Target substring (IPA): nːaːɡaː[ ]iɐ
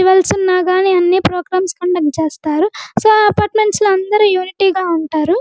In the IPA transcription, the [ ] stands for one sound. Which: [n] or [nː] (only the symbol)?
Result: n